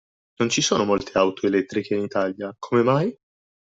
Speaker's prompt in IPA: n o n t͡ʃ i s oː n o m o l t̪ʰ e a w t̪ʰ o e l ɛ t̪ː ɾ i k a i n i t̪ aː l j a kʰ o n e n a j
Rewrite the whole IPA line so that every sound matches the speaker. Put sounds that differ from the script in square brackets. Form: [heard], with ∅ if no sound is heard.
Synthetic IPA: n o n t͡ʃ i s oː n o m o l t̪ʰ e a w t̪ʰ o e l ɛ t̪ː ɾ i k [e] i n i t̪ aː l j a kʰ o [m] e [m] a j